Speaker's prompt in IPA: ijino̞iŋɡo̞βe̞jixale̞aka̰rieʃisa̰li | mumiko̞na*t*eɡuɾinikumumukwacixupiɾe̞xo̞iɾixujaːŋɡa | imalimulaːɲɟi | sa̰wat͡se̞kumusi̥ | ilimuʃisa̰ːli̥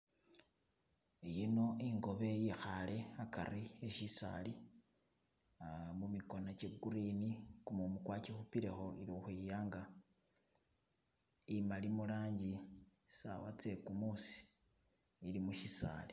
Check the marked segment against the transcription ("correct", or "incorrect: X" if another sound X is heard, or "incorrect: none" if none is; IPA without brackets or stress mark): incorrect: t͡ʃ